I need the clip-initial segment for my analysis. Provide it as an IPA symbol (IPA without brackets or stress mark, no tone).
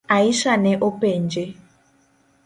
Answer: a